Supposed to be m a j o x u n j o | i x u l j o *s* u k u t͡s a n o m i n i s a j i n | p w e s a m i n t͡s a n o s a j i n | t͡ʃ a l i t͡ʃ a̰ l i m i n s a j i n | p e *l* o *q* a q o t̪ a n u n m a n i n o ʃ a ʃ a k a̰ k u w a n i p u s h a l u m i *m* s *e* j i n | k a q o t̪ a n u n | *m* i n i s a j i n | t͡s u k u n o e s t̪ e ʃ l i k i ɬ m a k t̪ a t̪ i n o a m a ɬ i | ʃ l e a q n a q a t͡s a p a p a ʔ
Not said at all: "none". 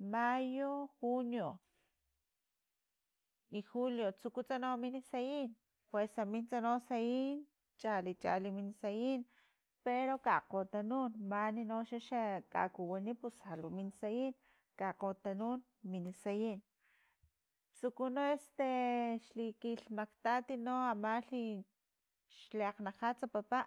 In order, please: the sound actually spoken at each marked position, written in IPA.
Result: t͡s, ɾ, k, n, a, m

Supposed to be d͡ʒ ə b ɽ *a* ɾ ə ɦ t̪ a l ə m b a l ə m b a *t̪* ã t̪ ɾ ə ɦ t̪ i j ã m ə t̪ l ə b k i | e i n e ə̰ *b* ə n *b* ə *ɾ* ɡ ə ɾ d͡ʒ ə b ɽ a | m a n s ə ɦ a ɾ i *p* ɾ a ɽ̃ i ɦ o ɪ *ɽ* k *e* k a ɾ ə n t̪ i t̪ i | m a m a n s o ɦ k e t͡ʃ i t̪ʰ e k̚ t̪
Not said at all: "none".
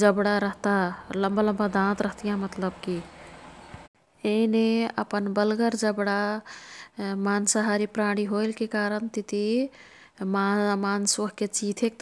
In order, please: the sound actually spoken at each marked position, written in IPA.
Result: a, d̪, p, b, l, p, l, e

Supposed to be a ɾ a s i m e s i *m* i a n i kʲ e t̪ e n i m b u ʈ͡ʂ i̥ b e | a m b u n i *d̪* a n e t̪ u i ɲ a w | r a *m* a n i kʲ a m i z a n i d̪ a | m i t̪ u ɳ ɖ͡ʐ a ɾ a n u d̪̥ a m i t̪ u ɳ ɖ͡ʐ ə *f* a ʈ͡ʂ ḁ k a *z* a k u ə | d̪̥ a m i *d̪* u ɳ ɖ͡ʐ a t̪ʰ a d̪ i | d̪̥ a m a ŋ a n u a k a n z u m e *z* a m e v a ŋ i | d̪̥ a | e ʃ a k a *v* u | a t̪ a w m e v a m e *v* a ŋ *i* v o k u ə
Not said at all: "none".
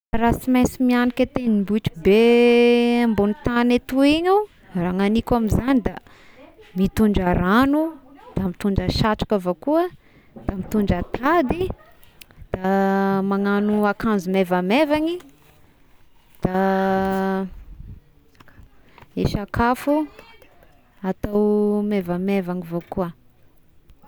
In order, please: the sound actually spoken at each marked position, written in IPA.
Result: m, t̪, ŋ, ʃ, v, t̪, v, f, v, i

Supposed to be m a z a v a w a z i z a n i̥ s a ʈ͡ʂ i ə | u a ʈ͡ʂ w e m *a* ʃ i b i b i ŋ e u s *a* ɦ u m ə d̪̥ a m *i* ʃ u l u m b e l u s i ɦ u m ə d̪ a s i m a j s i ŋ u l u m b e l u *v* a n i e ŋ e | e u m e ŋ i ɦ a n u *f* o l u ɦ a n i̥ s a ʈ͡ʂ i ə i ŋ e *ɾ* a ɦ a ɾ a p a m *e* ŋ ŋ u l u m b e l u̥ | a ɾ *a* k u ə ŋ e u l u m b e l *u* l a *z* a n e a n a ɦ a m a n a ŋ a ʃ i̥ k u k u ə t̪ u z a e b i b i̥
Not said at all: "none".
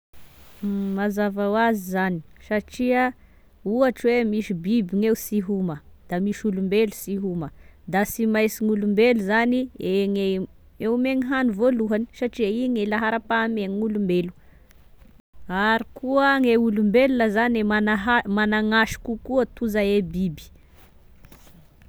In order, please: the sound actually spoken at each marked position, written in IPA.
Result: i, i, i, z, v, l, e, i, u, z

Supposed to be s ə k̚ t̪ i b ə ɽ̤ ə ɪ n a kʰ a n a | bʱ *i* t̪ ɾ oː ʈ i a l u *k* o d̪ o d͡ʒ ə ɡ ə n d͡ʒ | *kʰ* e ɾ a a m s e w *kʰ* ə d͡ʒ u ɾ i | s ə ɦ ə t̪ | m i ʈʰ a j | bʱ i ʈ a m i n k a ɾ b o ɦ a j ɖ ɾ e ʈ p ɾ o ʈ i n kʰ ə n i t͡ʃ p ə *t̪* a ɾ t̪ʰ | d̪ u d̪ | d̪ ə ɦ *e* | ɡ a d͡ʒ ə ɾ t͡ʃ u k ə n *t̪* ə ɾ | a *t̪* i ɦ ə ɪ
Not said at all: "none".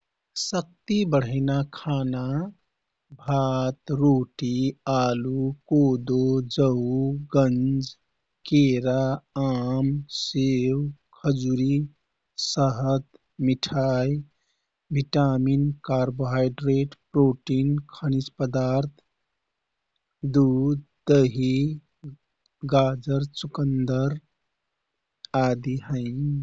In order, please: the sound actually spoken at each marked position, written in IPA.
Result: a, k, k, kʰ, d̪, i, d̪, d̪

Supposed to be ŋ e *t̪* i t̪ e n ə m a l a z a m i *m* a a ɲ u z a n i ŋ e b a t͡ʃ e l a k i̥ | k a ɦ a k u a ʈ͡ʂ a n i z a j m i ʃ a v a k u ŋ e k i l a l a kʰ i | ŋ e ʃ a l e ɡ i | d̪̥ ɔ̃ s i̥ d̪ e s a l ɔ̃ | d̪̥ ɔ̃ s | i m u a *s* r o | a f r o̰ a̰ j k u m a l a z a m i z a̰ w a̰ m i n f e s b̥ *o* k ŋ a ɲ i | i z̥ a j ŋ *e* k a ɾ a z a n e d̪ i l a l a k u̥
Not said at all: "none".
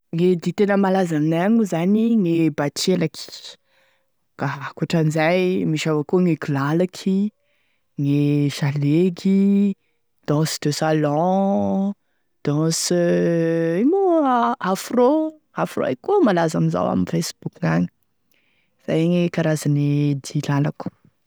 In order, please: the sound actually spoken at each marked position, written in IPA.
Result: d̪, n, f, u, e

